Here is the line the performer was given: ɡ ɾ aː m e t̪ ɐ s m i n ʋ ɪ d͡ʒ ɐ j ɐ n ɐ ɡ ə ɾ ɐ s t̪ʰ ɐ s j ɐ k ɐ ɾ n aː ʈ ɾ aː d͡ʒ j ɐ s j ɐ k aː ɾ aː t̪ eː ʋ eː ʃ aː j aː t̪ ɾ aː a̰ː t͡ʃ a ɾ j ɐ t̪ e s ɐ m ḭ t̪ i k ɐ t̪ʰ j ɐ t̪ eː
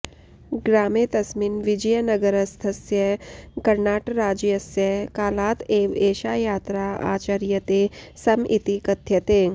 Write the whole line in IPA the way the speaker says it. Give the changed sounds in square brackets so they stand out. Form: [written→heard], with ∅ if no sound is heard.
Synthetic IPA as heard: ɡ ɾ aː m e t̪ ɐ s m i n ʋ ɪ d͡ʒ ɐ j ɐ n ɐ ɡ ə ɾ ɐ s t̪ʰ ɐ s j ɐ k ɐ ɾ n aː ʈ ɾ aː d͡ʒ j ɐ s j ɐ k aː [ɾ→l] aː t̪ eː ʋ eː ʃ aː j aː t̪ ɾ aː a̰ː t͡ʃ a ɾ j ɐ t̪ e s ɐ m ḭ t̪ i k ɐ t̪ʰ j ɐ t̪ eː